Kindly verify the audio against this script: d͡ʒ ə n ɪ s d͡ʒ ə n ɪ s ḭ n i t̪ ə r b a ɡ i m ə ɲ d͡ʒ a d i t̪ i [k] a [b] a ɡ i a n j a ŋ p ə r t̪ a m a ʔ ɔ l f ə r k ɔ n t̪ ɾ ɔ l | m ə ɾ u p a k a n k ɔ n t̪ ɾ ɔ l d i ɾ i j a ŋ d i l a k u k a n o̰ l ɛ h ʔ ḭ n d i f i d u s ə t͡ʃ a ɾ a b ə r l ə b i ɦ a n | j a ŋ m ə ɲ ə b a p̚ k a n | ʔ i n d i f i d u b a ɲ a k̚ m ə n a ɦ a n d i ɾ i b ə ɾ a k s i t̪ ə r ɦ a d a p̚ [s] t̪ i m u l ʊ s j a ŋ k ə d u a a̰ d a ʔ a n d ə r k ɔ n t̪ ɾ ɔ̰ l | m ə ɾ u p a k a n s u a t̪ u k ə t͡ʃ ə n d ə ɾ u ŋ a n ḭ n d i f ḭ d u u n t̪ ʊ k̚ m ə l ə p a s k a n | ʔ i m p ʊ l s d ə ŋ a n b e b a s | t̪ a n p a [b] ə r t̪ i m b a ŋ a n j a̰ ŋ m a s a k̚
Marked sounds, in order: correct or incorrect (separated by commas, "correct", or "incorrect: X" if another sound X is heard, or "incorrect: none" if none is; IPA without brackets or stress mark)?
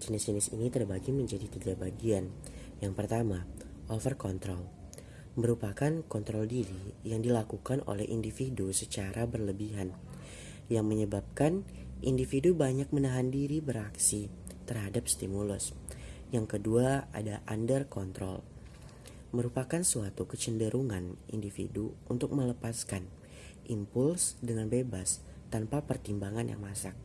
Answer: incorrect: ɡ, correct, correct, incorrect: p